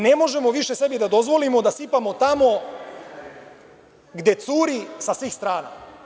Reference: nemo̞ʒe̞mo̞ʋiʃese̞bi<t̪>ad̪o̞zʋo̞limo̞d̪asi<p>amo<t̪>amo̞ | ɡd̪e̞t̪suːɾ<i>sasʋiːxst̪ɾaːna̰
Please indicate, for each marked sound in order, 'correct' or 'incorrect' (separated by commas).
incorrect, correct, correct, correct